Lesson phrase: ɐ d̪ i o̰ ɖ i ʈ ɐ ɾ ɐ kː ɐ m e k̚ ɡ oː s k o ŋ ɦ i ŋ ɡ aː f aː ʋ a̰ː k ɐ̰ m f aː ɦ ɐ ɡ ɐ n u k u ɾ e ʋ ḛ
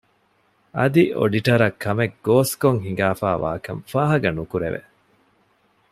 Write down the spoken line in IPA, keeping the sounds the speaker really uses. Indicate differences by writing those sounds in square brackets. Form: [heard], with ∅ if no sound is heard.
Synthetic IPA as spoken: ɐ d̪ i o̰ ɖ i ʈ ɐ ɾ ɐ kː ɐ m e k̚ ɡ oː s k o ŋ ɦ i ŋ ɡ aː f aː ʋ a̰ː k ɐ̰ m f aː ɦ ɐ ɡ ɐ n u k u ɾ e ʋ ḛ